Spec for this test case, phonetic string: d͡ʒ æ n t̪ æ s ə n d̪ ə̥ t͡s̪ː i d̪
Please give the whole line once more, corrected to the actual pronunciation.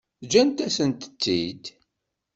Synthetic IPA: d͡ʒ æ n t̪ æ s ə n t̪ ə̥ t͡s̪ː i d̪